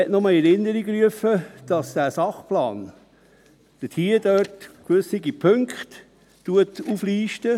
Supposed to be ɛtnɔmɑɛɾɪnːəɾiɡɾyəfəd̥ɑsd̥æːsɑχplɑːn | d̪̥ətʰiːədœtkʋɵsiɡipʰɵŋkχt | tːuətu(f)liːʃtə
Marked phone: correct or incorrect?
correct